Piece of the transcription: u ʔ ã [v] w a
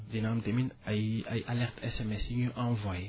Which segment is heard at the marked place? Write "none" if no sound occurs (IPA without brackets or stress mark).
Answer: v